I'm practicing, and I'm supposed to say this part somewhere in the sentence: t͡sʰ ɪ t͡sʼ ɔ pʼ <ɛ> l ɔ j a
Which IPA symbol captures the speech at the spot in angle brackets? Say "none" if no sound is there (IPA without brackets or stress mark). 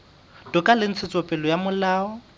ɛ